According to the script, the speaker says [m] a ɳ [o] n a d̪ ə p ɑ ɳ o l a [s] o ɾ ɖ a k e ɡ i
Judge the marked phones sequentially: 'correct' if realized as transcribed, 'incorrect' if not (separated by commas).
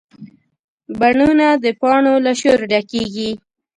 incorrect, incorrect, incorrect